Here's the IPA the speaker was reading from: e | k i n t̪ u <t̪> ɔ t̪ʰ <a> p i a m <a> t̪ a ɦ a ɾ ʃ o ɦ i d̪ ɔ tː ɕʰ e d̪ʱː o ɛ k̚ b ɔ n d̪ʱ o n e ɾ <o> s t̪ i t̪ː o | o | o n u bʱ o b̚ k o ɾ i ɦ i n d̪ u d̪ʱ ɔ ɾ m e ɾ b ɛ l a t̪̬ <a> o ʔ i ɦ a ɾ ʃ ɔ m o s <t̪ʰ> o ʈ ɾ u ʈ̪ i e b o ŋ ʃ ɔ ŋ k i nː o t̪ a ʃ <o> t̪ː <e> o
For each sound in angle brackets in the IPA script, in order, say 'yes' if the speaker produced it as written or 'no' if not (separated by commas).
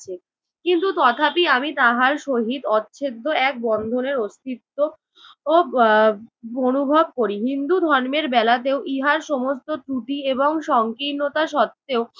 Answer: yes, yes, no, yes, no, no, no, yes